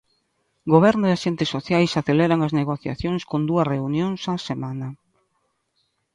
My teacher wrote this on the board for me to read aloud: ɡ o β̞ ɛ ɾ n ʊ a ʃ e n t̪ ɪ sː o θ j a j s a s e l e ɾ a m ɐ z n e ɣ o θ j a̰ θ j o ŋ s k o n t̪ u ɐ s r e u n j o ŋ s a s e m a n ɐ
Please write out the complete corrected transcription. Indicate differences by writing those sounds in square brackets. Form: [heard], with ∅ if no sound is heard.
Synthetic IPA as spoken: ɡ o β̞ ɛ ɾ n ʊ a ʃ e n t̪ ɪ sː o θ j a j s a [θ] e l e ɾ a [ŋ] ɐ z n e ɣ o θ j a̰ θ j o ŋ s k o n [d̪] u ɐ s r e u n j o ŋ s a s e m a n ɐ

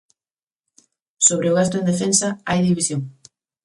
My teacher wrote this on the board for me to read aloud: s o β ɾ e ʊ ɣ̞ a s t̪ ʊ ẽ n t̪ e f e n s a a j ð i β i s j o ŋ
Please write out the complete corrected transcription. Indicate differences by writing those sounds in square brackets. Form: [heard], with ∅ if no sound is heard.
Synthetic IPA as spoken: s o β ɾ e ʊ ɣ̞ a s t̪ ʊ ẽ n [d̪] e f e n s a a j ð i β i s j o ŋ

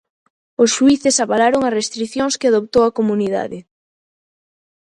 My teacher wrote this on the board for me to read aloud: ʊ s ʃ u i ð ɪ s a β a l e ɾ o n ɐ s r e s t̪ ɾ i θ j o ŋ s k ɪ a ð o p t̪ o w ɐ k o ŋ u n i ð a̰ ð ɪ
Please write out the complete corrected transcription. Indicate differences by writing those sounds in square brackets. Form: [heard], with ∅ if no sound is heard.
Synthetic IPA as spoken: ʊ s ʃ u i [θ] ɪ s a β a l [a] ɾ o [ŋ] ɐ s r e s t̪ ɾ i θ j o ŋ s k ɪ a ð o p t̪ o w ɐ k o [m] u n i ð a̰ ð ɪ

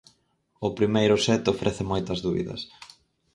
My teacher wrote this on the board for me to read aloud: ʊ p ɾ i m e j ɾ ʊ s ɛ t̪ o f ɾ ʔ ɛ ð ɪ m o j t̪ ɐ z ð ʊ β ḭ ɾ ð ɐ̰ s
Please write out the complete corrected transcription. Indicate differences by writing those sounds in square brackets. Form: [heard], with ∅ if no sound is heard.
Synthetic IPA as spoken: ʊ p ɾ i m e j ɾ ʊ s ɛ t̪ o f ɾ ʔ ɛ [θ] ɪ m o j t̪ ɐ z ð [u] β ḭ [∅] ð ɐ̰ s

